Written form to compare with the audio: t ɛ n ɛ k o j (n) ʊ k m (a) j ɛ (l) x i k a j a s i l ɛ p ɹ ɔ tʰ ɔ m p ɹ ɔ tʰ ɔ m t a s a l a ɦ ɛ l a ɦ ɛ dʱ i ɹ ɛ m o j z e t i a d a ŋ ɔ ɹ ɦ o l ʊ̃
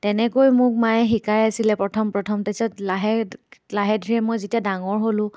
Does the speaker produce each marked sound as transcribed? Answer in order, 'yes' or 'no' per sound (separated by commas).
no, yes, no